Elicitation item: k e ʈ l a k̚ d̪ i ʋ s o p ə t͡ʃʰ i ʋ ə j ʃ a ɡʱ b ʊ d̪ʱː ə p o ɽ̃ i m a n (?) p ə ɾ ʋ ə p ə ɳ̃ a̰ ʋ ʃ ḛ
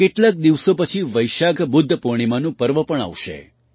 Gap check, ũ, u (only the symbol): ũ